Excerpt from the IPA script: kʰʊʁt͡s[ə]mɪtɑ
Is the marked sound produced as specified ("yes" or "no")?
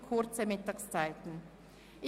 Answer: yes